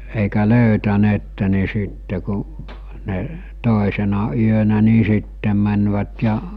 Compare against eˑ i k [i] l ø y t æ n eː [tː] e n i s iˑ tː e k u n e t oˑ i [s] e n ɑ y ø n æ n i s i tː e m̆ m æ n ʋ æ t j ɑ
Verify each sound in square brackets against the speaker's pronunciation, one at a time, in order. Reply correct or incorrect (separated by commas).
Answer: incorrect, correct, correct